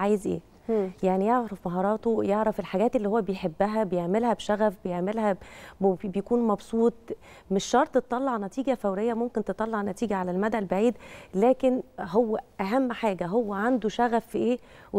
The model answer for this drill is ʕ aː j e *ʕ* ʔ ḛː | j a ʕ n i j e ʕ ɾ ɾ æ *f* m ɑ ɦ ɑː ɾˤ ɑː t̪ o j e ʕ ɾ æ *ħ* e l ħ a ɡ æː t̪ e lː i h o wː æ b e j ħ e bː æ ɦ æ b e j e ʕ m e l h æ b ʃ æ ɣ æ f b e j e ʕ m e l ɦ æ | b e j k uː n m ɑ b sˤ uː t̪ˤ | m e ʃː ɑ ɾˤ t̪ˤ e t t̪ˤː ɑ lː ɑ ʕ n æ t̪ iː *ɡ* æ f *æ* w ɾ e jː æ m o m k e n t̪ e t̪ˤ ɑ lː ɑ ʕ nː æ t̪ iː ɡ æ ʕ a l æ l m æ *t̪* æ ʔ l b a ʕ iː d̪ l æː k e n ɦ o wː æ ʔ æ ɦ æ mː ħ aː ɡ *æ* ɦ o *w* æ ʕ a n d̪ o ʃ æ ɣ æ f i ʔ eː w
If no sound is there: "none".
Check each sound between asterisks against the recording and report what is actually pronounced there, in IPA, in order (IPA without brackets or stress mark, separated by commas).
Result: z, f, f, ɡ, æ, d̪, æ, wː